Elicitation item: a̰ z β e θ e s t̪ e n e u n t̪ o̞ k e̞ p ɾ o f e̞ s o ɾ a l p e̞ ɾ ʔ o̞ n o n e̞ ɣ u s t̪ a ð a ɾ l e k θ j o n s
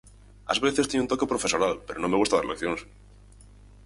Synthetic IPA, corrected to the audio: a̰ z β e θ e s t̪ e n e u n t̪ o̞ k e̞ p ɾ o f e̞ s o ɾ a l p e̞ ɾ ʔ o̞ n o m e̞ ɣ u s t̪ a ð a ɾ l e k θ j o n s